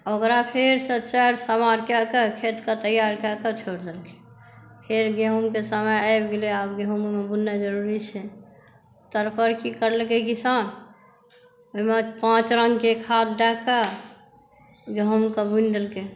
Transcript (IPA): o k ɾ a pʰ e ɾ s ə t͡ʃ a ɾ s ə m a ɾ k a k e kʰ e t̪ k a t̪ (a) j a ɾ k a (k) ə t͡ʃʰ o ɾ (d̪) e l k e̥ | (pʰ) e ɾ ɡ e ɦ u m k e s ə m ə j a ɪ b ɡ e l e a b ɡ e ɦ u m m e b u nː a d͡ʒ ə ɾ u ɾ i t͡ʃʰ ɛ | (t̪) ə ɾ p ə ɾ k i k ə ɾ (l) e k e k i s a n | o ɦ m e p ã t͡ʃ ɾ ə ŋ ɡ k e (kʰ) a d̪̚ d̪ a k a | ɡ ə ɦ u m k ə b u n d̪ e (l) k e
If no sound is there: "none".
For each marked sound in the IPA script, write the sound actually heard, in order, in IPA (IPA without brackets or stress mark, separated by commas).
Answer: ə, k, d̪, pʰ, t̪, l, kʰ, l